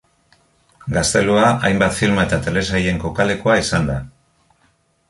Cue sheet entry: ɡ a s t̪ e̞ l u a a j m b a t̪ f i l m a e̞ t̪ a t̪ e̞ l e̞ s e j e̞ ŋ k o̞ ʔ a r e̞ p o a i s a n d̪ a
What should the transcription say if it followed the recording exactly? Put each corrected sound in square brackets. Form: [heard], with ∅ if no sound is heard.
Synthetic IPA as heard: ɡ a s t̪ e̞ l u a a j m b a t̪ f i l m a e̞ t̪ a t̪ e̞ l e̞ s [a] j e̞ ŋ k o̞ [k] a [l] e̞ [k] o a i s a n d̪ a